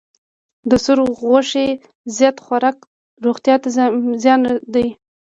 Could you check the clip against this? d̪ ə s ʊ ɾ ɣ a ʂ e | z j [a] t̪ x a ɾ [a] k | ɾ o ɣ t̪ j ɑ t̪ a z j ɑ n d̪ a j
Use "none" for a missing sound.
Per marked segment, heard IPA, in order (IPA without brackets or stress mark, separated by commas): ɑ, ɑ